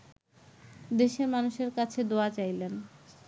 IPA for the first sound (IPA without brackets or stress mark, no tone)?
d̪